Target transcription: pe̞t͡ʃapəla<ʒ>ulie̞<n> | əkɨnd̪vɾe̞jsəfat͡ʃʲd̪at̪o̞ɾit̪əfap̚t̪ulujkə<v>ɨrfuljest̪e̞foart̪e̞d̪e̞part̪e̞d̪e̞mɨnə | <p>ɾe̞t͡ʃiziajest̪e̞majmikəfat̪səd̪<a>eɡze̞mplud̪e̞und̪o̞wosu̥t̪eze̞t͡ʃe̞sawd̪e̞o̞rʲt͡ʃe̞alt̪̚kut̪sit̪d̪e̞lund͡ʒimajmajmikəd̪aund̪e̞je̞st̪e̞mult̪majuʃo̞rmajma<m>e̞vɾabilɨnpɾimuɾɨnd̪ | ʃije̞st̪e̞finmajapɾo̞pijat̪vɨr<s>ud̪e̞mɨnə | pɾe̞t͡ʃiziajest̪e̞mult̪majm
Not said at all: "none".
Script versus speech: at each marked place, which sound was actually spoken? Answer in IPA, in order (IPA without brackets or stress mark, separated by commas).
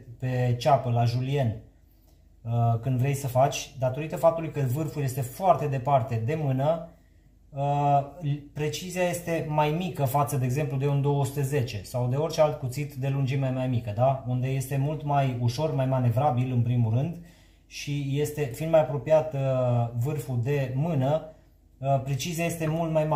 ʒ, n, v, p, e, n, f